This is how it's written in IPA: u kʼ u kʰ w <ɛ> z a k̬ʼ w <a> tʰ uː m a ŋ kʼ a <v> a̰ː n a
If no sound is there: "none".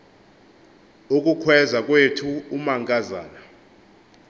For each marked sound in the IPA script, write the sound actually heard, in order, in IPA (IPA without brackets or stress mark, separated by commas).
ɛ, e, z